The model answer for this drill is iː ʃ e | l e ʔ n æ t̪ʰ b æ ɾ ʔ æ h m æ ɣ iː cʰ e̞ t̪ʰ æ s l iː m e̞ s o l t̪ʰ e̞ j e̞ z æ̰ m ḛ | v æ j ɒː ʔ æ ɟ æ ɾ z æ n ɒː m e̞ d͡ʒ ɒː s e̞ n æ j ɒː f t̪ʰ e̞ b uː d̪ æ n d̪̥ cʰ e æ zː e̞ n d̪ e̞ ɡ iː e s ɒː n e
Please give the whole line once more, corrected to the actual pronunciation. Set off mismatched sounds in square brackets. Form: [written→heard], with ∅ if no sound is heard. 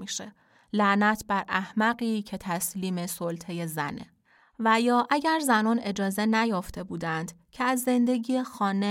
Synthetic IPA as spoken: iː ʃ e | l [e→æ] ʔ n æ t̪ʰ b æ ɾ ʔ æ h m æ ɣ iː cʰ e̞ t̪ʰ æ s l iː m e̞ s o l t̪ʰ e̞ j e̞ z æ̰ [m→n] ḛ | v æ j ɒː ʔ æ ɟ æ ɾ z æ n ɒː [m→n] e̞ d͡ʒ ɒː [s→z] e̞ n æ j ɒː f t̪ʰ e̞ b uː d̪ æ n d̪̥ cʰ e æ zː e̞ n d̪ e̞ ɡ iː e [s→x] ɒː n e